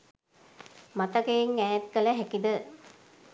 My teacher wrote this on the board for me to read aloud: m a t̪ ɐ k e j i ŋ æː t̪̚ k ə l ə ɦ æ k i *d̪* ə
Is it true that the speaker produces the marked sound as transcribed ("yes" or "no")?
yes